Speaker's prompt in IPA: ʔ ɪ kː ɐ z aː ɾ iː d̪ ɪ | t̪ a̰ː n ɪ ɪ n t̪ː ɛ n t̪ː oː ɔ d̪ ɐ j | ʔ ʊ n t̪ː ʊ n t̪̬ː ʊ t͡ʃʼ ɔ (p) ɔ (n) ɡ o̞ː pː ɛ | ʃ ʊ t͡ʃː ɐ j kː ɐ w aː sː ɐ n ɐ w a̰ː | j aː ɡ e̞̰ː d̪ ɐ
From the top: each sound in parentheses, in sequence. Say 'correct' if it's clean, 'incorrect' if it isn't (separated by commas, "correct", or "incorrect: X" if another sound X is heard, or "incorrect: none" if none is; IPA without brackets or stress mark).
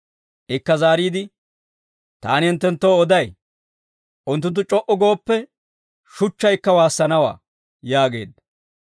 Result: incorrect: ʔ, incorrect: none